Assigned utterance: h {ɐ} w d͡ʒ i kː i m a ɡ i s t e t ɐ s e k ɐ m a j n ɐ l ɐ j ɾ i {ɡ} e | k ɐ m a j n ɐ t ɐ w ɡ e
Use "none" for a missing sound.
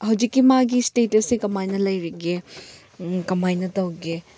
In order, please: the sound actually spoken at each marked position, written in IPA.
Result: ɐ, ɡ

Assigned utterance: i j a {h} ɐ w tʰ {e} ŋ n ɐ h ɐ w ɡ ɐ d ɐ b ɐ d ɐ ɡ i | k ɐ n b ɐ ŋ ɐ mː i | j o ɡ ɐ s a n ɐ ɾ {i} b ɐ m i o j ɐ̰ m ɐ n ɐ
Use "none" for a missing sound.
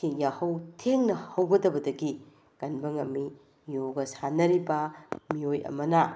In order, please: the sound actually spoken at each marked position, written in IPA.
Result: h, e, i

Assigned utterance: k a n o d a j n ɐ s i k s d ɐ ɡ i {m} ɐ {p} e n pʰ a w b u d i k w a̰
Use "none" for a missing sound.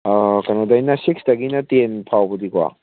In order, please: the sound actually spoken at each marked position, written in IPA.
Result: n, t

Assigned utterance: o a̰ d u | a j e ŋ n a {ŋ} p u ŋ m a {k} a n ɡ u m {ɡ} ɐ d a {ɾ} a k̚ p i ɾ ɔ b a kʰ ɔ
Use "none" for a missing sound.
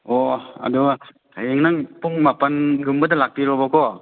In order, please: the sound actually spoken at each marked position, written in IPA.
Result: ŋ, p, b, l

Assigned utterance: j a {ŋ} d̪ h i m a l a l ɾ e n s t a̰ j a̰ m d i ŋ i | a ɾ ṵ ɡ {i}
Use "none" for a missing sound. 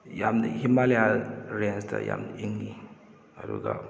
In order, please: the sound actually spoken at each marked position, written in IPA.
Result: m, a

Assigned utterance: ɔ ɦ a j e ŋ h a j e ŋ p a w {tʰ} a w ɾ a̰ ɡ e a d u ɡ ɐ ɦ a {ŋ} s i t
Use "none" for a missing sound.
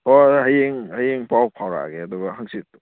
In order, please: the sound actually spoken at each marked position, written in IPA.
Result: pʰ, ŋ

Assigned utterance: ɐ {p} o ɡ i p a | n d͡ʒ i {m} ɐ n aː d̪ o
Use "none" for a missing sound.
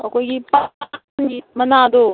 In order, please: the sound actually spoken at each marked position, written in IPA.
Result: k, m

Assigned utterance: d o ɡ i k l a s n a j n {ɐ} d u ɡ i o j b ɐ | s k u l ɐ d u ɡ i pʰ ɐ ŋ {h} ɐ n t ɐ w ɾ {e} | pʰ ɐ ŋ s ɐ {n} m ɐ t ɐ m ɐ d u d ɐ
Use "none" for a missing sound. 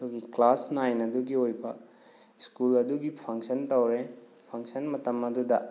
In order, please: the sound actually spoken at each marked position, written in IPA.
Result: ɐ, s, e, n

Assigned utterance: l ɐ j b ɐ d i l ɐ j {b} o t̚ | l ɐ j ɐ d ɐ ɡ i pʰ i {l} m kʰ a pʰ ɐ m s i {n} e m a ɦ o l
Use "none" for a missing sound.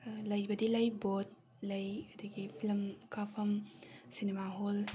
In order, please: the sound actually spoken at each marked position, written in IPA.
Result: b, l, n

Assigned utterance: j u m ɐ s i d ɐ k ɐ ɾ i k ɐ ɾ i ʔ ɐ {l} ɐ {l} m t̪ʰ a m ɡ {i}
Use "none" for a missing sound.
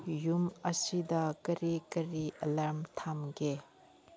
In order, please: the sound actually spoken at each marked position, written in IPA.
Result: l, ɾ, e

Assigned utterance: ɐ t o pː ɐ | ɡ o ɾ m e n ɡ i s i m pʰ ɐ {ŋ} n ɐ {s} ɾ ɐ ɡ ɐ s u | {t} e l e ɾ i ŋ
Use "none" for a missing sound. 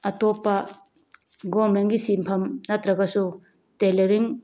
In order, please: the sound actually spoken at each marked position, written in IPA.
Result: m, t, t

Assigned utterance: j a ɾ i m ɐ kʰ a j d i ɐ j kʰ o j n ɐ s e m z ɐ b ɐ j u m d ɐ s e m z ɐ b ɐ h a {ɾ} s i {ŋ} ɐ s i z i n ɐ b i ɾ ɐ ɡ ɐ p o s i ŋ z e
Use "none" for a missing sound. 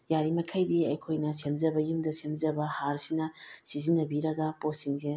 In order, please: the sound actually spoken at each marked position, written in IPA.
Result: ɾ, n

